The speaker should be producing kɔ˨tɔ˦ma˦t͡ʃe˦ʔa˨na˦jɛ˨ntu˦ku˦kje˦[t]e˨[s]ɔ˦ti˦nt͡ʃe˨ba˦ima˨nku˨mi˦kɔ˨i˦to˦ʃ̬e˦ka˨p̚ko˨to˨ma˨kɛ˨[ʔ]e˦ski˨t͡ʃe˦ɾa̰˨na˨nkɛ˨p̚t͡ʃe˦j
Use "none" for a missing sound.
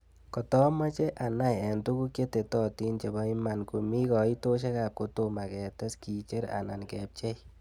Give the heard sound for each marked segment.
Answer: t, t, t

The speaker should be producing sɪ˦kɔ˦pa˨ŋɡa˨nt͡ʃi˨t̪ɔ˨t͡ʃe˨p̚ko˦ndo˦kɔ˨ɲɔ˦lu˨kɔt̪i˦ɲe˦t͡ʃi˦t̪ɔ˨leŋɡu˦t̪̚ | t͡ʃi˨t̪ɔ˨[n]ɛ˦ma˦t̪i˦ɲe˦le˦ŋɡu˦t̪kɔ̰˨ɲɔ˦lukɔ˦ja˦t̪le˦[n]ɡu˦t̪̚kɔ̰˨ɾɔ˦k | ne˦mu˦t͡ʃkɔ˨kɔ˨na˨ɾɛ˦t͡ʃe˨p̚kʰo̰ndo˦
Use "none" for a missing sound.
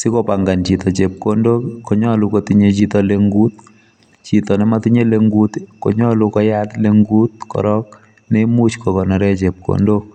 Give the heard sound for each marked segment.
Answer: n, ŋ

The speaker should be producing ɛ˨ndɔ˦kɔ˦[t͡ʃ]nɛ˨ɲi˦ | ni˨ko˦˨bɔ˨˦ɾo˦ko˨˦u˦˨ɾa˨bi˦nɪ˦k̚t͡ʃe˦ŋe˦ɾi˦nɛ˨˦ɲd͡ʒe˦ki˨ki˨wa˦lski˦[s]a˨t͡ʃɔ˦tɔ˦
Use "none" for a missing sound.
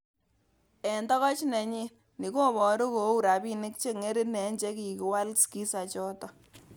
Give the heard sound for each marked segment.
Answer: t͡ʃ, s

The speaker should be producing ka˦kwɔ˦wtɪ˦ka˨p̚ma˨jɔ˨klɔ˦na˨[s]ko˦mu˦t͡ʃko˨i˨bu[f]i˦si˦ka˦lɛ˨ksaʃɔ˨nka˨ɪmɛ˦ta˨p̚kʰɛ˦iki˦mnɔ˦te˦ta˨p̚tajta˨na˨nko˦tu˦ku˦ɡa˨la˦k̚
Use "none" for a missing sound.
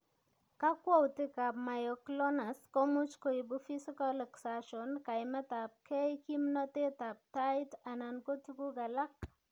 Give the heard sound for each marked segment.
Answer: s, f

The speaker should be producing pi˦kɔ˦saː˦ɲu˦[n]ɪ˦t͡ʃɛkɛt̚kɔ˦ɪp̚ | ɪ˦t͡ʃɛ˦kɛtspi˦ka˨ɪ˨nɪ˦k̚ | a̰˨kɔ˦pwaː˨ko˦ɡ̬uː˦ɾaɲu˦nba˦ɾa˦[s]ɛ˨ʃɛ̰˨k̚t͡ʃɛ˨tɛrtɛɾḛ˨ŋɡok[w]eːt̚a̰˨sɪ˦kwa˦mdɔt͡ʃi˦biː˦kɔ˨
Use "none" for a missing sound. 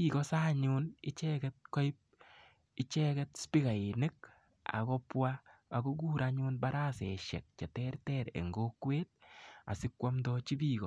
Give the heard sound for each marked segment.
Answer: n, s, w

